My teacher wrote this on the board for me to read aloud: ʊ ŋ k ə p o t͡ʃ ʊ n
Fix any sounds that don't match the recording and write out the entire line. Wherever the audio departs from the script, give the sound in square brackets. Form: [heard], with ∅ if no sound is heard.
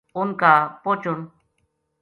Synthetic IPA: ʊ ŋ k [a] p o t͡ʃ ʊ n